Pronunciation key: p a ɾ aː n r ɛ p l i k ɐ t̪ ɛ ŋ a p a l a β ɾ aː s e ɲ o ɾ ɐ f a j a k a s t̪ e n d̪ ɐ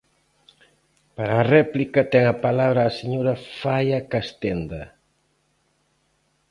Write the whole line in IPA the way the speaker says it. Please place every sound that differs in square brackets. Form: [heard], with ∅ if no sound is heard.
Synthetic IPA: p a ɾ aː [∅] r ɛ p l i k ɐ t̪ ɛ ŋ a p a l a β ɾ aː s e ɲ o ɾ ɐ f a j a k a s t̪ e n d̪ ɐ

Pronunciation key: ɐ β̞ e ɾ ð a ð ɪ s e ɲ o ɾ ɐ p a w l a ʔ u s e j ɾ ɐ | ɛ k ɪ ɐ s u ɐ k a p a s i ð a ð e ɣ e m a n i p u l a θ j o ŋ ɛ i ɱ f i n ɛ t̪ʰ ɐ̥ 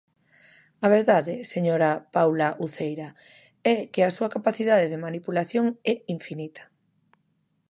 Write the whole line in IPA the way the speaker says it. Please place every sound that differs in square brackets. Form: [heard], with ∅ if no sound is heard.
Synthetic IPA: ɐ β̞ e ɾ ð a ð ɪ s e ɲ o ɾ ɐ p a w l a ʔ u [θ] e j ɾ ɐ | ɛ k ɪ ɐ s u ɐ k a p a [θ] i ð a ð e [ð] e m a n i p u l a θ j o ŋ ɛ i ɱ f i n [i] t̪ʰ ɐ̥

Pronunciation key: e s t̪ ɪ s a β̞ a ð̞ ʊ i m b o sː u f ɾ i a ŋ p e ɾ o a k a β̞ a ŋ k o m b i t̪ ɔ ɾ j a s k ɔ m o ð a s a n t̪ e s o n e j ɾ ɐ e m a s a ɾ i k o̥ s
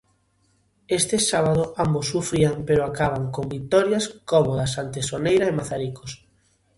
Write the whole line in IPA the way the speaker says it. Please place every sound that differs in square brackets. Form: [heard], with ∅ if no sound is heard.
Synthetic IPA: e s t̪ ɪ s a β̞ a ð̞ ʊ [a] m b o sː u f ɾ i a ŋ p e ɾ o a k a β̞ a ŋ k o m b i t̪ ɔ ɾ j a s k ɔ m o ð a s a n t̪ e s o n e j ɾ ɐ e m a [θ] a ɾ i k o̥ s

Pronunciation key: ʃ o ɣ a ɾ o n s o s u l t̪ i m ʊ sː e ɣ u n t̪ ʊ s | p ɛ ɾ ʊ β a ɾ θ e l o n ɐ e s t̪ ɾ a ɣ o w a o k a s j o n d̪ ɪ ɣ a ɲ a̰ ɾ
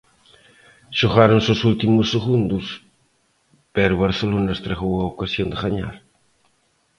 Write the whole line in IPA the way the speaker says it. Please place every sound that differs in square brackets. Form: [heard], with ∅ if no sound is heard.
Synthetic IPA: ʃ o ɣ a ɾ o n s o s u l t̪ i m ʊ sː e ɣ u n [d̪] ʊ s | p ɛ ɾ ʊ β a ɾ θ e l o n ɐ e s t̪ ɾ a ɣ o w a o k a s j o n d̪ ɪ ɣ a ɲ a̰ ɾ

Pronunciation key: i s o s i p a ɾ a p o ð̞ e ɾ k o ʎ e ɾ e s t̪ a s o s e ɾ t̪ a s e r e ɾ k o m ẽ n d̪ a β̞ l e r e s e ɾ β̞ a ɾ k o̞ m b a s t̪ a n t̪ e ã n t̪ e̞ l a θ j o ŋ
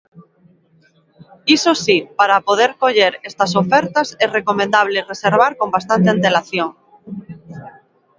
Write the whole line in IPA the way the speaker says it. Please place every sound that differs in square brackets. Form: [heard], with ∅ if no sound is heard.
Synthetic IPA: i s o s i p a ɾ a p o ð̞ e ɾ k o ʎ e ɾ e s t̪ a s o [f] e ɾ t̪ a s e r e [∅] k o m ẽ n d̪ a β̞ l e r e s e ɾ β̞ a ɾ k o̞ m b a s t̪ a n t̪ e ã n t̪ e̞ l a θ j o ŋ

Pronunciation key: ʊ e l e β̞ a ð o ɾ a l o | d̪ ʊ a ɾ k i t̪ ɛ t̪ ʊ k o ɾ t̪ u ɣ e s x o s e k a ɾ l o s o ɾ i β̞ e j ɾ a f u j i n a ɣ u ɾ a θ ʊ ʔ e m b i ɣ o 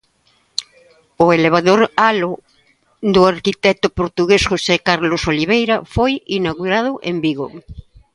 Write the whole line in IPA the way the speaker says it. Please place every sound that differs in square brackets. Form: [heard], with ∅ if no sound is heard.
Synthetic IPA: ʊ e l e β̞ a ð o ɾ a l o | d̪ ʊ a ɾ k i t̪ ɛ t̪ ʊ [p] o ɾ t̪ u ɣ e s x o s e k a ɾ l o s o [l] i β̞ e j ɾ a f [o] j i n a ɣ u ɾ a [ð] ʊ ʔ e m b i ɣ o

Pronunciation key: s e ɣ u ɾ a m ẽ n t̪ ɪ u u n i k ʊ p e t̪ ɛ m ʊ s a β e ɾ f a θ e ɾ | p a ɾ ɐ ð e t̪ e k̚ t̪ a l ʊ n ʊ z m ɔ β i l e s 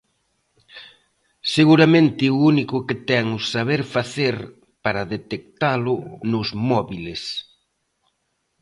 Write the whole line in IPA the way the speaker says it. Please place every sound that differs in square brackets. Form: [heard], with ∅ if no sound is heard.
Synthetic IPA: s e ɣ u ɾ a m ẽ n t̪ ɪ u u n i k ʊ [k] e t̪ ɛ [ŋ] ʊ s a β e ɾ f a θ e ɾ | p a ɾ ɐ ð e t̪ e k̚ t̪ a l ʊ n ʊ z m ɔ β i l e s

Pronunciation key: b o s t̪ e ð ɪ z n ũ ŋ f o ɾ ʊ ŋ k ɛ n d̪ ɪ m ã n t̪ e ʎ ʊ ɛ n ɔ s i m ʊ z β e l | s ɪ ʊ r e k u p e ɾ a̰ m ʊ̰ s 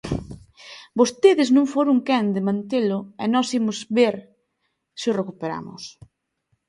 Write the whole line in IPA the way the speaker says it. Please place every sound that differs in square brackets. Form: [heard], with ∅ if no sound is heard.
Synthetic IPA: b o s t̪ e ð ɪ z n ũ ŋ f o ɾ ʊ ŋ k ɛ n d̪ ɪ m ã n t̪ e [l] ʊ ɛ n ɔ s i m ʊ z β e [ɾ] | s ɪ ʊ r e k u p e ɾ a̰ m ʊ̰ s

